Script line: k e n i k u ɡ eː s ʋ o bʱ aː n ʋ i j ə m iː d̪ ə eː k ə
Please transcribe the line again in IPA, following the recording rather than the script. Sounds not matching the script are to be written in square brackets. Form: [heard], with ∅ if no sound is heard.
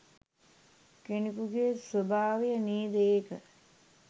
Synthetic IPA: k e n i k u ɡ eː s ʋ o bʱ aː [∅] ʋ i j ə [n] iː d̪ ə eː k ə

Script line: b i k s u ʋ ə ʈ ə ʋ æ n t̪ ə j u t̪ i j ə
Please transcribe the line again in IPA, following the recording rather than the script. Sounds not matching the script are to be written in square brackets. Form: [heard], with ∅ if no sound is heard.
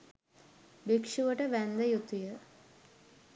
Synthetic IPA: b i k [ʂ] u ʋ ə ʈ ə ʋ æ n [d̪] ə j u t̪ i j ə

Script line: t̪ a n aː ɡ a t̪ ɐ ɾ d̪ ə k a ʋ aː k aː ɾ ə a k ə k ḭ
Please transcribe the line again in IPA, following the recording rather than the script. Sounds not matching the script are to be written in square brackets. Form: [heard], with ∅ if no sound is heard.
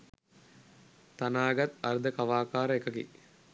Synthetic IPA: t̪ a n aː ɡ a t̪ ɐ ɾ d̪ ə k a ʋ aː k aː ɾ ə [e] k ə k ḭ

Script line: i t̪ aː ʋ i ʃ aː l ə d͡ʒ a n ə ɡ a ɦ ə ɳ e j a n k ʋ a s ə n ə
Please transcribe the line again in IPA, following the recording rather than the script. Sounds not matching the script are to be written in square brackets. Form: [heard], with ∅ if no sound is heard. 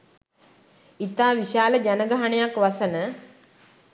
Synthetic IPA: i t̪ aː ʋ i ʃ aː l ə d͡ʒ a n ə ɡ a ɦ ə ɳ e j a [∅] k ʋ a s ə n ə

